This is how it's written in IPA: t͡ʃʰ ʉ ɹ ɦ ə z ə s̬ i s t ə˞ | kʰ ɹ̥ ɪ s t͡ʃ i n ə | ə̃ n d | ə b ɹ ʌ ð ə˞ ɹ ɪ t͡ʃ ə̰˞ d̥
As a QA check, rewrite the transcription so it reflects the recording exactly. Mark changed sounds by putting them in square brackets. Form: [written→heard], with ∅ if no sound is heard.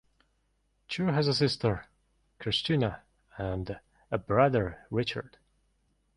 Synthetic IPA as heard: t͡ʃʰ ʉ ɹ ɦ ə z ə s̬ [i→ɪ] s t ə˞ | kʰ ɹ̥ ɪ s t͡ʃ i n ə | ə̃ n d | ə b ɹ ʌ ð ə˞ ɹ ɪ t͡ʃ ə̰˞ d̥